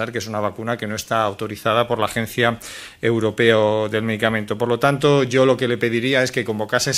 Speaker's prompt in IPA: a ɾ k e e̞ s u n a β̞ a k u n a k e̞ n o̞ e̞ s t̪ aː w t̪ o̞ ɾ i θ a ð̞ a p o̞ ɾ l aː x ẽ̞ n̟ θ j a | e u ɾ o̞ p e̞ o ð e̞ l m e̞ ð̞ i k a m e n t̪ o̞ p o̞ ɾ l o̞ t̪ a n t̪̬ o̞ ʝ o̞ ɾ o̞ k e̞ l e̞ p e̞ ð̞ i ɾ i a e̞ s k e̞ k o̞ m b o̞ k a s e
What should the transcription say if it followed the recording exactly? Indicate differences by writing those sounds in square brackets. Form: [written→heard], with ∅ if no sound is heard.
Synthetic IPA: a ɾ k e e̞ s u n a β̞ a k u n a k e̞ n o̞ e̞ s t̪ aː w t̪ o̞ ɾ i θ a ð̞ a p o̞ ɾ l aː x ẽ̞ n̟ θ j a | e [u→w] ɾ o̞ p e̞ o ð e̞ l m e̞ ð̞ i k a m e n t̪ o̞ p o̞ ɾ l o̞ t̪ a n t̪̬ o̞ ʝ o̞ [ɾ→l] o̞ k e̞ l e̞ p e̞ ð̞ i ɾ i a e̞ s k e̞ k o̞ m b o̞ k a s e